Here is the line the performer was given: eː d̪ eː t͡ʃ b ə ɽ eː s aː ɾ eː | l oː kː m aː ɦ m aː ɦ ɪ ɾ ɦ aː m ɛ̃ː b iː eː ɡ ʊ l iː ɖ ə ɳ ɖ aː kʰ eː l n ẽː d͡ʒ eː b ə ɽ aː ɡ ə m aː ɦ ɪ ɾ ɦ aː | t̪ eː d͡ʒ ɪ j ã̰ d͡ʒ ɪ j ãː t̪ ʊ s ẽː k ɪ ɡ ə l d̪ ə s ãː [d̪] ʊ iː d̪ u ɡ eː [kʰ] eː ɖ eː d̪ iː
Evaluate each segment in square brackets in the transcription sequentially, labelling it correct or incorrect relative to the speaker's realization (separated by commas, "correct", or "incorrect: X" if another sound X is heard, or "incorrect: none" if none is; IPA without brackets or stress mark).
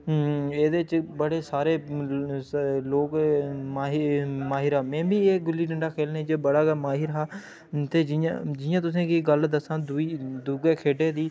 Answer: correct, correct